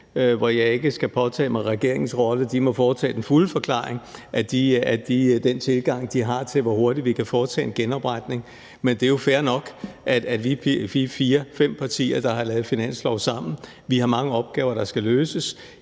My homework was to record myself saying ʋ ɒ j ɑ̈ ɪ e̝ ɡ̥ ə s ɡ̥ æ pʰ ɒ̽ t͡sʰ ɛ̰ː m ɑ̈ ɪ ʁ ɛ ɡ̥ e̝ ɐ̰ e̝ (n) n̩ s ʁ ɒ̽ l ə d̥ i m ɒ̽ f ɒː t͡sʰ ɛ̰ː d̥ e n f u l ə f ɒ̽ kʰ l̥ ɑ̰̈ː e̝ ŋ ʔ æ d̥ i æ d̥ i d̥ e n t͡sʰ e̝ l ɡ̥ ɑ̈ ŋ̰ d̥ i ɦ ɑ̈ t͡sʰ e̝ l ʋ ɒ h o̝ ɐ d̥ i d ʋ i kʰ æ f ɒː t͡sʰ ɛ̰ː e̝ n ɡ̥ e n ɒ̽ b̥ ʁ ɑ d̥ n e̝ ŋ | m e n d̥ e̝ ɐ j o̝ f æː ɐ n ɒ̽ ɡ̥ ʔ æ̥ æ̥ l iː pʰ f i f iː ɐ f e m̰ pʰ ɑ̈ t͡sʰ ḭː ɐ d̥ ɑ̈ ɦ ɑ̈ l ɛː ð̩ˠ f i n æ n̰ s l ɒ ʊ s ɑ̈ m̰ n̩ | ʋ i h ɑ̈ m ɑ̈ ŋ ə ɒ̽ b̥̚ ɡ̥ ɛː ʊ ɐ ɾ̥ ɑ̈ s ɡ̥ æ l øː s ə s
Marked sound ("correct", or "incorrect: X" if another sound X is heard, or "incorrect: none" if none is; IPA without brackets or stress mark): incorrect: ŋ